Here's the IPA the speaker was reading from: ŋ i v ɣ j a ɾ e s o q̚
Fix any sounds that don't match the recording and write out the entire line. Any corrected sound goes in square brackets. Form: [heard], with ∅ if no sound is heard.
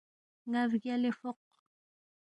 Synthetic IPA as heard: ŋ [a] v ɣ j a [l] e [f] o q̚